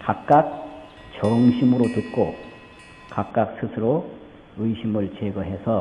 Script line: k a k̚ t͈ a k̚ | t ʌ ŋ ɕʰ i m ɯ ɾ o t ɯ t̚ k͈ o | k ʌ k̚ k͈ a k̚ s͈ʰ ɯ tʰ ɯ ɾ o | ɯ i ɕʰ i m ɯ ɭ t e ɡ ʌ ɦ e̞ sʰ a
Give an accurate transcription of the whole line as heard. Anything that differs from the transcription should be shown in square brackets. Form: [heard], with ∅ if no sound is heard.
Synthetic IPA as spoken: k a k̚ [k͈] a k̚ | [t͡ɕ] ʌ ŋ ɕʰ i m ɯ ɾ o t ɯ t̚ k͈ o | k [a] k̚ k͈ a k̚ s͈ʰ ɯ [sʰ] ɯ ɾ o | ɯ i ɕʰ i m ɯ ɭ [t͡ɕ] e ɡ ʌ ɦ e̞ sʰ [ʌ]